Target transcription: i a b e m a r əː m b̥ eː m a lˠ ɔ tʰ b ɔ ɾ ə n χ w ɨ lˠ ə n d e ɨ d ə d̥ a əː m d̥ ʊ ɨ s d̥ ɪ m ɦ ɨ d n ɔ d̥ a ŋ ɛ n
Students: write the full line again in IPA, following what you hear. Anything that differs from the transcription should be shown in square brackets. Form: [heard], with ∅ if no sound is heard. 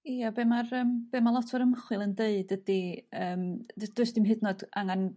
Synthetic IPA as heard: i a b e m a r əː m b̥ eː m a lˠ ɔ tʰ [v] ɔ ɾ ə [m] χ w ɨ lˠ ə n d e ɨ d ə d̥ [i] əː m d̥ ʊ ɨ s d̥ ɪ m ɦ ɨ d n ɔ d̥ a ŋ [a] n